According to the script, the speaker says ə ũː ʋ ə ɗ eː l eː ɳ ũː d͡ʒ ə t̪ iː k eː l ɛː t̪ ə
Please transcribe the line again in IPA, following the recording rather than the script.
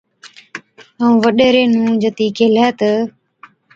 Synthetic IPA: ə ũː ʋ ə ɗ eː ɾ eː n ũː d͡ʒ ə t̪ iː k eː l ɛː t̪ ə